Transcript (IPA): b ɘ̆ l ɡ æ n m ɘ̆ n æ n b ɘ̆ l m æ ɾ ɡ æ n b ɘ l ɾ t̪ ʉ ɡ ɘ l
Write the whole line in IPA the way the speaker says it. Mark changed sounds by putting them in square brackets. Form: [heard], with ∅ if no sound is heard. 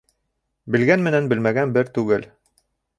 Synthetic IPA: b ɘ̆ l ɡ æ n m ɘ̆ n æ n b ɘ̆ l m æ [∅] ɡ æ n b ɘ [∅] ɾ t̪ ʉ ɡ ɘ l